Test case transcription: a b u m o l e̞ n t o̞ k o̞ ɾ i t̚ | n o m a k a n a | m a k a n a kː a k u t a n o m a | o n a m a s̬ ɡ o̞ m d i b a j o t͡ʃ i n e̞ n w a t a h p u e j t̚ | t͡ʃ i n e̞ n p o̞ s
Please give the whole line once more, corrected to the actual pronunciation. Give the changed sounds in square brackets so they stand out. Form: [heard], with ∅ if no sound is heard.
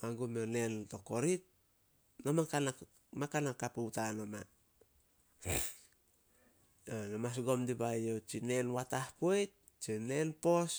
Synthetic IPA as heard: a [ɡ] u m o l e̞ n t o̞ k o̞ ɾ i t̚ | n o m a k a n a | m a k a n a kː a [p] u t a n o m a | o n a m a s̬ ɡ o̞ m d i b a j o t͡ʃ i n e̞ n w a t a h p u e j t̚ | t͡ʃ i n e̞ n p o̞ s